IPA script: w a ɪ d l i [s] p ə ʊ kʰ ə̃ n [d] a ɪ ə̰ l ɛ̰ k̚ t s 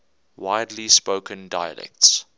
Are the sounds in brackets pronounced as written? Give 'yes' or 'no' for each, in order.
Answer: yes, yes

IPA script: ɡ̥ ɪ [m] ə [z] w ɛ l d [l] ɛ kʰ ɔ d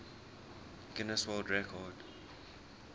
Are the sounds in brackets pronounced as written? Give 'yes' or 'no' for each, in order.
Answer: no, no, no

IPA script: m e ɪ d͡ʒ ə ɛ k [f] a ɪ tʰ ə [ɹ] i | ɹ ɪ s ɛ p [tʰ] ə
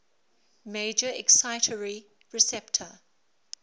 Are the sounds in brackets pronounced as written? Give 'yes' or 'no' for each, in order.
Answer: no, yes, yes

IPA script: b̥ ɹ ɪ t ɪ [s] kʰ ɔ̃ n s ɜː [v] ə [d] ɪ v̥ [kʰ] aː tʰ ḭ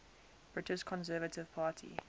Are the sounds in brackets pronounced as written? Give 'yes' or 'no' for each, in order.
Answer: no, yes, no, no

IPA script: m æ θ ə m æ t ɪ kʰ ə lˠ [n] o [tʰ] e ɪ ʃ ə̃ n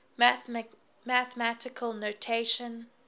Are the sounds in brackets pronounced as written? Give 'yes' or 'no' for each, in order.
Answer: yes, yes

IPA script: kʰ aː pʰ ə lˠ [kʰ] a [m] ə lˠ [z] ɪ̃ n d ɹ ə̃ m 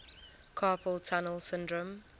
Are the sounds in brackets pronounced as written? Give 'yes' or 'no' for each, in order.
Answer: no, no, no

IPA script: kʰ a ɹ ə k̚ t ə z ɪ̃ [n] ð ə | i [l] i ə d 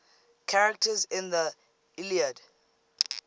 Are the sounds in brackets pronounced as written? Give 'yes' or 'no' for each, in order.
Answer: yes, yes

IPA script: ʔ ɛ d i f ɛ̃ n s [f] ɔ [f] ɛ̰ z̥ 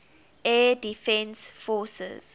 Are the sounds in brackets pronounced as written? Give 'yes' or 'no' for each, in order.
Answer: yes, no

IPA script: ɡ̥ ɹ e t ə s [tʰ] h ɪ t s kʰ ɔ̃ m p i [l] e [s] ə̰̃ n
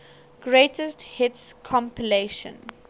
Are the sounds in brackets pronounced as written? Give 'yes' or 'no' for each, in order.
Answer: no, yes, no

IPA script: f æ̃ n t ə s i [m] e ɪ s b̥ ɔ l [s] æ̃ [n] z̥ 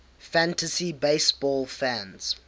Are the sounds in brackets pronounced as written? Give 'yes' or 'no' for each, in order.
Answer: no, no, yes

